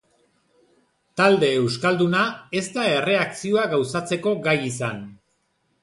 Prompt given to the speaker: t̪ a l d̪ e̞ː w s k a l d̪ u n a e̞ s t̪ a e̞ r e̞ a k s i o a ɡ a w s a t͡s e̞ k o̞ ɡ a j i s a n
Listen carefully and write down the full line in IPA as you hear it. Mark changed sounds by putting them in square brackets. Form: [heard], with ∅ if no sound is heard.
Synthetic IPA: t̪ a l d̪ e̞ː w s k a l d̪ u n a e̞ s t̪ a e̞ r e̞ a k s i o a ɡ a w s a t͡s e̞ k o̞ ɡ a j i s a n